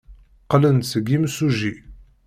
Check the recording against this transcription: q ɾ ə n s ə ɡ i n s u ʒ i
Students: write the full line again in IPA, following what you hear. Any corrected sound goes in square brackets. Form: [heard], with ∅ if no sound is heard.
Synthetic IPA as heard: q [l] ə n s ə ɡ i [m] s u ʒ i